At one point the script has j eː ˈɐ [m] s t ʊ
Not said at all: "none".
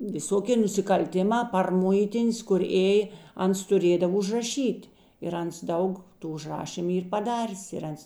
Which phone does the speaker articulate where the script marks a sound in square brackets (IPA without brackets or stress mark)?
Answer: n